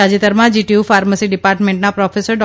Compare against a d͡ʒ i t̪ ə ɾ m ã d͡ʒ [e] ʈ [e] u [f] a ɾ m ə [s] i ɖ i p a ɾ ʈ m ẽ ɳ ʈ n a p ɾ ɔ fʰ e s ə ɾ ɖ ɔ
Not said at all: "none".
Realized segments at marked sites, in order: i, i, f, s

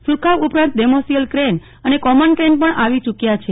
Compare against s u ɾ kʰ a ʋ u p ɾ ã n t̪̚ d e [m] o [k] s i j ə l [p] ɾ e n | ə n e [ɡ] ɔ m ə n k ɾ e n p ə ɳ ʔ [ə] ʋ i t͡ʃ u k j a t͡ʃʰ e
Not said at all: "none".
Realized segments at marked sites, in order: m, none, k, k, a

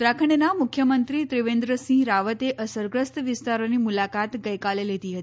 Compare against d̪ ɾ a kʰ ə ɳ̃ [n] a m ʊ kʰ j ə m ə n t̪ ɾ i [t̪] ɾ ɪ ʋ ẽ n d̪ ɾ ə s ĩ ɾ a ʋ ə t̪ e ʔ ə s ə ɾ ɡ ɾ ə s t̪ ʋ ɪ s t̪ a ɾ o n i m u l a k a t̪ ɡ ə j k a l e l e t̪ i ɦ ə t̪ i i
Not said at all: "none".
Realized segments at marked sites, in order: n, t̪

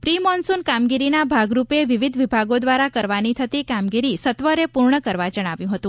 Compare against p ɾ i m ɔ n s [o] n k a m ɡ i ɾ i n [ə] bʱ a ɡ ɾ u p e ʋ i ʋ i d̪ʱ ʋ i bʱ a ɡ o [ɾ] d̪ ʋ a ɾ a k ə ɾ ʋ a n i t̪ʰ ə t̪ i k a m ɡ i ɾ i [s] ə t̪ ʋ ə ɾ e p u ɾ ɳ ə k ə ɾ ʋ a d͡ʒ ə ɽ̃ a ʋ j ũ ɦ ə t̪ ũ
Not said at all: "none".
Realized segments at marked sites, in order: u, a, none, s

